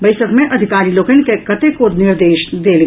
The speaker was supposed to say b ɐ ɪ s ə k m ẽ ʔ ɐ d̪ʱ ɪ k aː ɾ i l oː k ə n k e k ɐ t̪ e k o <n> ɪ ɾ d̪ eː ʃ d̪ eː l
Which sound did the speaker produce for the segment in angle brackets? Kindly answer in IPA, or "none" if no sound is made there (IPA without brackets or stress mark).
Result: n